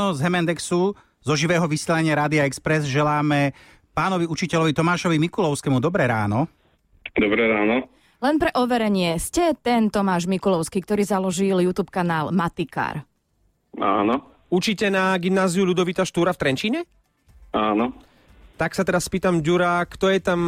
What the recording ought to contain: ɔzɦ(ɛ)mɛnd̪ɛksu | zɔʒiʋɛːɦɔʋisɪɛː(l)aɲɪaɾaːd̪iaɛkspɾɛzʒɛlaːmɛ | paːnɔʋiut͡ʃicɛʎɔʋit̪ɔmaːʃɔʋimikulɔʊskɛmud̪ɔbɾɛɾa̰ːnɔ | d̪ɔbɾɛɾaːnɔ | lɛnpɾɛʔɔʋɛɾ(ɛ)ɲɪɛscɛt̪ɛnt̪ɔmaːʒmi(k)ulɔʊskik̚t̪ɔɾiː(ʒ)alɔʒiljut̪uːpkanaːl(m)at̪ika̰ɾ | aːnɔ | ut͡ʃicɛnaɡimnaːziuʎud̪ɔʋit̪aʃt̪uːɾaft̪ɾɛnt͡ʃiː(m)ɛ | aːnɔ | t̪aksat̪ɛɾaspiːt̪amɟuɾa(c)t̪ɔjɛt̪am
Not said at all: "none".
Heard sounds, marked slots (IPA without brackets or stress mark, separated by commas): ɛ, l, ɛ, k, z, m, ɲ, k